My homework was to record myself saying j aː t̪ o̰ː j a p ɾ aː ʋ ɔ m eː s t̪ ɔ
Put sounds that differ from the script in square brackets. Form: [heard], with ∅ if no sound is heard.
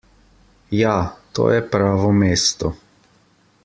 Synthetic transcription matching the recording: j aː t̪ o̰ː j [ɛ] p ɾ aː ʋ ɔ m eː s t̪ ɔ